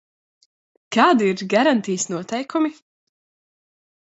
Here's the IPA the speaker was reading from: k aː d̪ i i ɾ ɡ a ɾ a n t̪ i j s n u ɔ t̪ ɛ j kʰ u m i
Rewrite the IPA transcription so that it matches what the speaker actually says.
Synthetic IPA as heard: k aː d̪ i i ɾ ɡ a ɾ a n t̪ i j s n u ɔ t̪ ɛ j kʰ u m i